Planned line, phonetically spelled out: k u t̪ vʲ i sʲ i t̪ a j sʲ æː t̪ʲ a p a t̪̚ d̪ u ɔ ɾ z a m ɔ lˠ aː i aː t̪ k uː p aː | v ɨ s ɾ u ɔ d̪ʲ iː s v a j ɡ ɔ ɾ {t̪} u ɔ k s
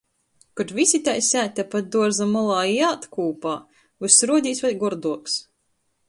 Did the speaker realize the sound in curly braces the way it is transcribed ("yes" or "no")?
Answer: no